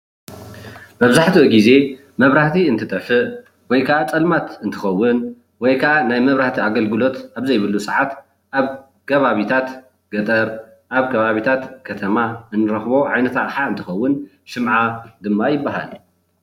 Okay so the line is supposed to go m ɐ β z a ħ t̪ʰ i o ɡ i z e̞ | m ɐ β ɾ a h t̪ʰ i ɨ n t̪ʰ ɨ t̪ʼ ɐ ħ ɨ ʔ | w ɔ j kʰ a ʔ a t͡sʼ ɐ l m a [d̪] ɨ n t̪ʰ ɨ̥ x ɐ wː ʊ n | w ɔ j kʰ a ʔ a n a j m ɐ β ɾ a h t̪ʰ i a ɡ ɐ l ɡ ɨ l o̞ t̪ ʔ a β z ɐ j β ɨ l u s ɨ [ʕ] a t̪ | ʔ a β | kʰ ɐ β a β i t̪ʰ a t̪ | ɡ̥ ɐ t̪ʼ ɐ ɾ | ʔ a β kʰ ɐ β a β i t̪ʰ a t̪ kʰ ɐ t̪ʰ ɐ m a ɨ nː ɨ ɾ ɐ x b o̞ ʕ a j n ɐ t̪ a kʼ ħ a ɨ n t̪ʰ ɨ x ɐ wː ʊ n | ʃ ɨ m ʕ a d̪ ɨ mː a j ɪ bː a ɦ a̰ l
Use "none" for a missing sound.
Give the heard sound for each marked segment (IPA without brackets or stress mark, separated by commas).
t̪, ʕ